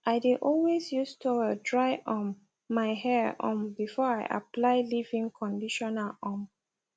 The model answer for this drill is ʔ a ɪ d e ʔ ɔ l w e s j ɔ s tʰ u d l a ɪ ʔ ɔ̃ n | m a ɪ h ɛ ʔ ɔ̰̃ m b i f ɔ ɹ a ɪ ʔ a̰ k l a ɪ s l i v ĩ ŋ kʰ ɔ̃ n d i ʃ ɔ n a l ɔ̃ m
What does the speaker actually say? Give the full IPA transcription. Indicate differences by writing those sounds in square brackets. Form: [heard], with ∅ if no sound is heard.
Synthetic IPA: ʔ a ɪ d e ʔ ɔ l w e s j [u] s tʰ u d [ɹ] a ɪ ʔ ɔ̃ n | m a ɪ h ɛ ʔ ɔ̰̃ m b i f ɔ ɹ a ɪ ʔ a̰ [p] l a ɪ [∅] l i v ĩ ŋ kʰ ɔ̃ n d i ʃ ɔ n a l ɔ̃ m